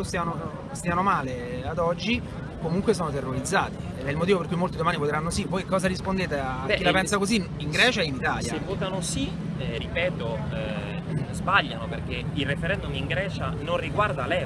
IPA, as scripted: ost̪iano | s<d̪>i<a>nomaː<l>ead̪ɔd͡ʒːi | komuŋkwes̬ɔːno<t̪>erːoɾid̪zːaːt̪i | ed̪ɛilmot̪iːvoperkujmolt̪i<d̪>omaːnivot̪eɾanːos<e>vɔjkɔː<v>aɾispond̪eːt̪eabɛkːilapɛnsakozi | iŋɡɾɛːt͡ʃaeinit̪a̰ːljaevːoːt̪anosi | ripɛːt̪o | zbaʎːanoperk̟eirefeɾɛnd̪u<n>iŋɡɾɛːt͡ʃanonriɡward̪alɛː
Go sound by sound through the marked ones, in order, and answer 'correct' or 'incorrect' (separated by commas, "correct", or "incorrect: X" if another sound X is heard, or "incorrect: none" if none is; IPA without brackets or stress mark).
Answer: incorrect: t̪, correct, correct, correct, correct, incorrect: i, incorrect: z, incorrect: m